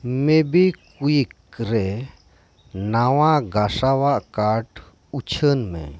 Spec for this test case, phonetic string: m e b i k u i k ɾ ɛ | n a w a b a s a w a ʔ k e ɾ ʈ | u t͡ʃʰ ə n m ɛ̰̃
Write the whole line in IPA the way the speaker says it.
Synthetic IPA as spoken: m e b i k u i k ɾ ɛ | n a w a ɡ a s a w a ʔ k a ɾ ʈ | u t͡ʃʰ ə n m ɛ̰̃

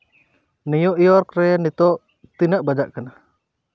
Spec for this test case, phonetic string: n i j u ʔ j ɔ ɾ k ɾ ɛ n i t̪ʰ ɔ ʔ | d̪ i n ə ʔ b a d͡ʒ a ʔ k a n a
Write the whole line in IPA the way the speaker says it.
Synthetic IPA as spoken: n i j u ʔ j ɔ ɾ k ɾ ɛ n i t̪ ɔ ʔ | t̪ i n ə ʔ b a d͡ʒ a ʔ k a n a

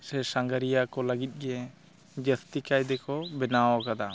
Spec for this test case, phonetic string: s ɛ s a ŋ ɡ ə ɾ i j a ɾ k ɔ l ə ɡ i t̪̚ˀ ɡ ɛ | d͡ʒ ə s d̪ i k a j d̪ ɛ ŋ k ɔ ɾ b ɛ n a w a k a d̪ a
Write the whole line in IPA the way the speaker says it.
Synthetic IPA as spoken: s ɛ s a ŋ ɡ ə ɾ i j a k ɔ l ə ɡ i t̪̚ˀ ɡ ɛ | d͡ʒ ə s t̪ i k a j d̪ ɛ k ɔ b ɛ n a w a k a d̪ a

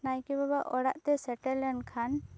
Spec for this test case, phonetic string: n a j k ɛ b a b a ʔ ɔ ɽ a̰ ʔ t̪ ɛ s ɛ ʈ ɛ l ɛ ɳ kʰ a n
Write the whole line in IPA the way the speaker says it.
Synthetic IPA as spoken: n a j k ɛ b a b a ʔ ɔ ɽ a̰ ʔ t̪ ɛ s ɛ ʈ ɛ l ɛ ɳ kʰ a n

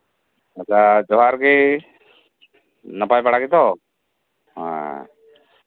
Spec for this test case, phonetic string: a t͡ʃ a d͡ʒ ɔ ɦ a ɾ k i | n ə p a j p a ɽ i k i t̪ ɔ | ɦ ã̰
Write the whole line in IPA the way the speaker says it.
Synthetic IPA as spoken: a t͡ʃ a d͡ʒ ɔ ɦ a ɾ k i | n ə p a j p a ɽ a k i t̪ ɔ | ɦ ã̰

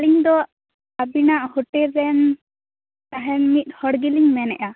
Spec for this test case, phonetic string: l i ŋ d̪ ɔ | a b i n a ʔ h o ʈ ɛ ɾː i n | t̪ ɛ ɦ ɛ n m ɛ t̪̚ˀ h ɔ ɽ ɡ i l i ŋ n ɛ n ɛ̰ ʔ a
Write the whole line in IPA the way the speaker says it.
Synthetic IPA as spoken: l i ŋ d̪ ɔ | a b i n a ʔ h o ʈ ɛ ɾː ɛ n | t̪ a ɦ ɛ n m i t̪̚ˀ h ɔ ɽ ɡ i l i ŋ m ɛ n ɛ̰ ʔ a

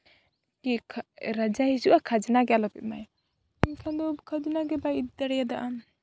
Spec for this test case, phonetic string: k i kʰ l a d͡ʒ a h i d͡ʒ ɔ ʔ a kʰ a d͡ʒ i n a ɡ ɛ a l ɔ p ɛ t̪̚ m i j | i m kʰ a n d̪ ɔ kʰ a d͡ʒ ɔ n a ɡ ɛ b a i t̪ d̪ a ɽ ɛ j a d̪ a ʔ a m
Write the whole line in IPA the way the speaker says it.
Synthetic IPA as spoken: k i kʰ ɾ a d͡ʒ a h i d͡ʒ u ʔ a kʰ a d͡ʒ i n a ɡ ɛ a l ɔ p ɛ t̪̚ m a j | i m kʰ a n d̪ ɔ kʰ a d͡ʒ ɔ n a ɡ ɛ b a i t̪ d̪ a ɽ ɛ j a d̪ a ʔ a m

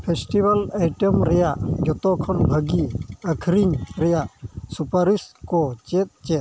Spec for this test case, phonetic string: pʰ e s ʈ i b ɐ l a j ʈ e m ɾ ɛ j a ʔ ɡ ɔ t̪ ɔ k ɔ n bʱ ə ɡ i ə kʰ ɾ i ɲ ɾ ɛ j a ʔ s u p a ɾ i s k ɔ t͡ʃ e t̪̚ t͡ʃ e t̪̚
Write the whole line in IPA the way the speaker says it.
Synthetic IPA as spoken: pʰ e s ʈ i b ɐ l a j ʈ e m ɾ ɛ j a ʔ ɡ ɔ t̪ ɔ kʰ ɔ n bʱ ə ɡ i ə kʰ ɾ i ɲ ɾ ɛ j a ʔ s u p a ɾ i s k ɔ t͡ʃ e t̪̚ t͡ʃ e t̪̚

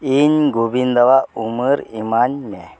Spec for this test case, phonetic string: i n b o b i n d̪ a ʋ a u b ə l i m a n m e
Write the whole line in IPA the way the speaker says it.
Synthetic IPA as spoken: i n ɡ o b i n d̪ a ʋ a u m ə ɾ i m a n m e

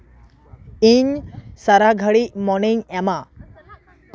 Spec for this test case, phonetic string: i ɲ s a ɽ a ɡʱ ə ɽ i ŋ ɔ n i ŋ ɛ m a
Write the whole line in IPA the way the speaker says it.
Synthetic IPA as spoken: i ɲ s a ɾ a ɡʱ ə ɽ i m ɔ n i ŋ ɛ m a

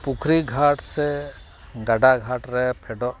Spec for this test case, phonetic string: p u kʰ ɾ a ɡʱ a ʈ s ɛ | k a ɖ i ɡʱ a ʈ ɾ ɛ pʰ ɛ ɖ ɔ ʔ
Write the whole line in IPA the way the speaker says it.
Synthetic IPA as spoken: p u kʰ ɾ i ɡʱ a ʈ s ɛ | ɡ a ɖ a ɡʱ a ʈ ɾ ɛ pʰ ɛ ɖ ɔ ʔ

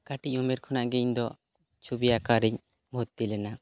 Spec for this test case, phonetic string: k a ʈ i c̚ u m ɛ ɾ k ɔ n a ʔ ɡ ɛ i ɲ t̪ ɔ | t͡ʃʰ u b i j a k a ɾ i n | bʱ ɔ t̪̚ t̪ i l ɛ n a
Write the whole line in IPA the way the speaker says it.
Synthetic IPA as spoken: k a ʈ i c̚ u m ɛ ɾ kʰ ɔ n a ʔ ɡ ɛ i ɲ d̪ ɔ | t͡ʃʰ u b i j a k a ɾ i ɲ | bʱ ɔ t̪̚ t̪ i l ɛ n a

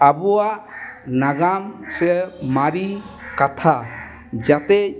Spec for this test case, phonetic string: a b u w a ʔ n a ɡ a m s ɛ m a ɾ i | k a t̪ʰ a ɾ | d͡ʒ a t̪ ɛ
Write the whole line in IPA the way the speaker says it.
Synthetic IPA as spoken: a b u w a ʔ n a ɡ a m s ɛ m a ɾ i | k a t̪ʰ a | d͡ʒ a t̪ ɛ

